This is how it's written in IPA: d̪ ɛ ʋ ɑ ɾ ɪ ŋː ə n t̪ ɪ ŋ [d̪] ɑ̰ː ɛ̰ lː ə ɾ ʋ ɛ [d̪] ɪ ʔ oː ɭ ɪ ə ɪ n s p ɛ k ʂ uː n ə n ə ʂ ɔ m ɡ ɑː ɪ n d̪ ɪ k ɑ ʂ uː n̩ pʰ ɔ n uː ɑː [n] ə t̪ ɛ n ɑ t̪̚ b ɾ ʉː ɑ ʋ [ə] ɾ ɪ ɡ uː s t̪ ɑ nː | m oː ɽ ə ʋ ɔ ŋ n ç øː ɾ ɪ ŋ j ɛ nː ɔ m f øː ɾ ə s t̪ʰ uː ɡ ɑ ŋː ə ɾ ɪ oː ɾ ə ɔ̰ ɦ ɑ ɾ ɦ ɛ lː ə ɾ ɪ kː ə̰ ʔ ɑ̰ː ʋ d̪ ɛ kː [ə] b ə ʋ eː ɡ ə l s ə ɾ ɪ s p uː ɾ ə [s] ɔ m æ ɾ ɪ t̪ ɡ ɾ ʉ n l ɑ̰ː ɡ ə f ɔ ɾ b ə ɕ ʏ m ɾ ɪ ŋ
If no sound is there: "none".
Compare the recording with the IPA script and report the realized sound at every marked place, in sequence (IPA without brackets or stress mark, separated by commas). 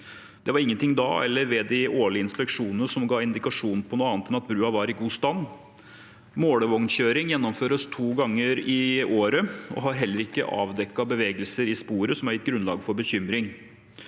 d̪, d̪, n, ɑ, ɑ, s